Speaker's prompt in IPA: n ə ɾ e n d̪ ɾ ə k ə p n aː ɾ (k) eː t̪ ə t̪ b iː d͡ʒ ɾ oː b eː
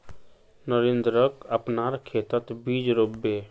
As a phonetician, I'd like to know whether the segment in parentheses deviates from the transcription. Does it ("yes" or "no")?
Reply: yes